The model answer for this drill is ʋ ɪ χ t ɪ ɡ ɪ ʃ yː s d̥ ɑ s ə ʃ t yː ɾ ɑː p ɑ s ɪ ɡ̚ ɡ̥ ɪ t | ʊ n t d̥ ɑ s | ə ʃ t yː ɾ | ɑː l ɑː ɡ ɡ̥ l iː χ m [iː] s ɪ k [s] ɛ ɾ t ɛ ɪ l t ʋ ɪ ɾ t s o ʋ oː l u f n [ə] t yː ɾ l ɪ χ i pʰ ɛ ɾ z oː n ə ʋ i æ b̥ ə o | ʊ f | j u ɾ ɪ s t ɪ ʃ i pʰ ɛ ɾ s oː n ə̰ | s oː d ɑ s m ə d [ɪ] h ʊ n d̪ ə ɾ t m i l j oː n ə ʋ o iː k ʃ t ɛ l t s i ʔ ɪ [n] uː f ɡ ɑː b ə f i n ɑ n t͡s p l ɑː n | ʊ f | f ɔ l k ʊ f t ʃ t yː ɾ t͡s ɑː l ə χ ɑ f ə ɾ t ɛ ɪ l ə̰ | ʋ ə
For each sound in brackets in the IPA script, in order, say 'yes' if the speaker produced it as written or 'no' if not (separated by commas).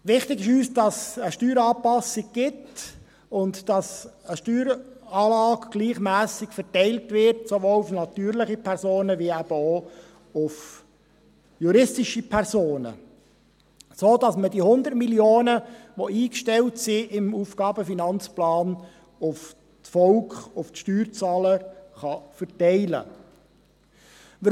no, no, no, no, no